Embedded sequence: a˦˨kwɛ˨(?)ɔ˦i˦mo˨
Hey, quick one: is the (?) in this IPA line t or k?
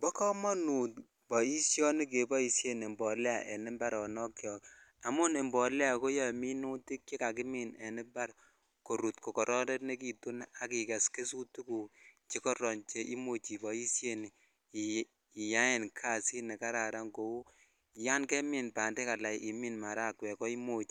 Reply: k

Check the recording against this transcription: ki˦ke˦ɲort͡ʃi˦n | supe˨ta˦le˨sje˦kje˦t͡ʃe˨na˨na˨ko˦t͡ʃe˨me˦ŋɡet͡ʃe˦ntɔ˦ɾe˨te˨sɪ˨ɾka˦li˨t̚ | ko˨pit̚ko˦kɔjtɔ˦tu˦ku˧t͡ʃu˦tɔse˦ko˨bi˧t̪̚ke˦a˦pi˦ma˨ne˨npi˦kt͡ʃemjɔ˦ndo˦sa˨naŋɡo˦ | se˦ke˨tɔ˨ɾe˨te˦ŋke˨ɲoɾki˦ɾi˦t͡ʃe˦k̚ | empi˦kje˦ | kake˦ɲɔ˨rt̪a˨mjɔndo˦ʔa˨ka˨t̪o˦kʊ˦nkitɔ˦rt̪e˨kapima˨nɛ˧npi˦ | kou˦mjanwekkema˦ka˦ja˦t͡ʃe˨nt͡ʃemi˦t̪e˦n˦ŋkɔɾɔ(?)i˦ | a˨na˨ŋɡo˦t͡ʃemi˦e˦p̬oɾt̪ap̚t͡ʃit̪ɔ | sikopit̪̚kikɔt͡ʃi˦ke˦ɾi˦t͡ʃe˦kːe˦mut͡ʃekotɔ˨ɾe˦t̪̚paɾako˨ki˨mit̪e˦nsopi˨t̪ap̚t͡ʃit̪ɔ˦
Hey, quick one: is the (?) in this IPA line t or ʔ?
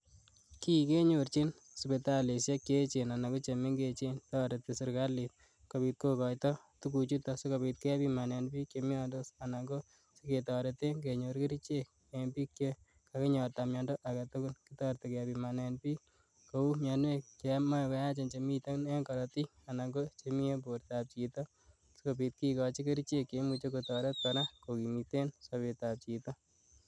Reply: t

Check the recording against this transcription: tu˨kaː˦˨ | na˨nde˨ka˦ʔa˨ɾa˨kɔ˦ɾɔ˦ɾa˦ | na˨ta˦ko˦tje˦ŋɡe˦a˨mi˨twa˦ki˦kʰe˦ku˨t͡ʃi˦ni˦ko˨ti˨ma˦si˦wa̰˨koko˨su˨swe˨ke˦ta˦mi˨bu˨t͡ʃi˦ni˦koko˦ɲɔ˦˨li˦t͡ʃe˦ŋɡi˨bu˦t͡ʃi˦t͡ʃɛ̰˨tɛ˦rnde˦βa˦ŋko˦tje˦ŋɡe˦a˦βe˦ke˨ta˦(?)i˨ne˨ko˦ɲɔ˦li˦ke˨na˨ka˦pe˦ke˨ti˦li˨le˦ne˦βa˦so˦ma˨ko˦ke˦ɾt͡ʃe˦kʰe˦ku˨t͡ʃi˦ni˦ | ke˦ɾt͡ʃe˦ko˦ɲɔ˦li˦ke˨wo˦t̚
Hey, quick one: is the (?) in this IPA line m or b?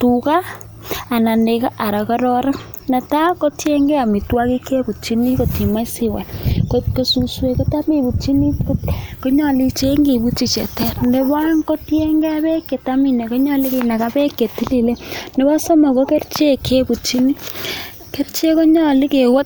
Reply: m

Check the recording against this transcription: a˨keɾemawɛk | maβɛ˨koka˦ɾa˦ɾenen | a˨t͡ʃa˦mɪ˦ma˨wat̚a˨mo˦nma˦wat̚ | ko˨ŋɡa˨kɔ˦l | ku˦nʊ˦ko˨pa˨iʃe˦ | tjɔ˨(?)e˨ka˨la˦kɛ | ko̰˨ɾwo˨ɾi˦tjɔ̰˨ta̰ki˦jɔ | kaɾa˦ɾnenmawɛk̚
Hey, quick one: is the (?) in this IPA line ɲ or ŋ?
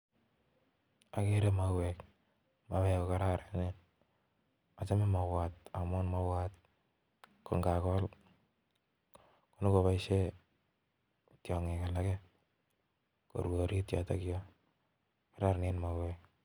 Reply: ŋ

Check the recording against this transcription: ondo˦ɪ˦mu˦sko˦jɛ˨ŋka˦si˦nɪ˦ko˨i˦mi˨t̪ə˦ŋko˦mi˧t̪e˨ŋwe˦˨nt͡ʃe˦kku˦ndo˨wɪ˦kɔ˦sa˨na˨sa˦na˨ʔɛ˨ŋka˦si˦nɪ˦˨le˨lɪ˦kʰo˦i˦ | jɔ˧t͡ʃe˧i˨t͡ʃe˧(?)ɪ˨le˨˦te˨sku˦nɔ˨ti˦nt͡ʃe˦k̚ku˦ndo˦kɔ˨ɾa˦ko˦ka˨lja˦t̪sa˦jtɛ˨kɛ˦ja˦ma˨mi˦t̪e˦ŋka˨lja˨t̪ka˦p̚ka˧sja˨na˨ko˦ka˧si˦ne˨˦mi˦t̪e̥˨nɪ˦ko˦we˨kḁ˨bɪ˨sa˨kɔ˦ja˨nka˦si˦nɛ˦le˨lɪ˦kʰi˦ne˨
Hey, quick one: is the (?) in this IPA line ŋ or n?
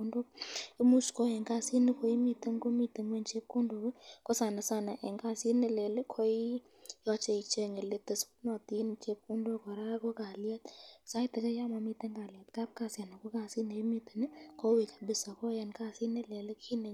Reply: ŋ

